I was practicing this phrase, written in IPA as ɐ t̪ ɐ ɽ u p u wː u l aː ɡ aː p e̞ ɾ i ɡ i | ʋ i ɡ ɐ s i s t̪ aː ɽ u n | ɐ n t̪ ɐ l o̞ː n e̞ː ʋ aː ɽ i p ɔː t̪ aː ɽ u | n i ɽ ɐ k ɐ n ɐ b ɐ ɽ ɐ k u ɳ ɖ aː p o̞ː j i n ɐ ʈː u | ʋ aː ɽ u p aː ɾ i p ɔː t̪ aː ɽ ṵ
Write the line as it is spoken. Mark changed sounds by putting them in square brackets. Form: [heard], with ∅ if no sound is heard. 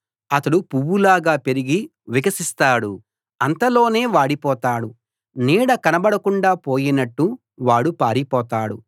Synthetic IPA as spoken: ɐ t̪ ɐ ɽ u p u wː u l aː ɡ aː p e̞ ɾ i ɡ i | ʋ i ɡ ɐ s i s t̪ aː ɽ u [∅] | ɐ n t̪ ɐ l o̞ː n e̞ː ʋ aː ɽ i p ɔː t̪ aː ɽ u | n [iː] ɽ ɐ k ɐ n ɐ b ɐ ɽ ɐ k u ɳ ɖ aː p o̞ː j i n ɐ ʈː u | ʋ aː ɽ u p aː ɾ i p ɔː t̪ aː ɽ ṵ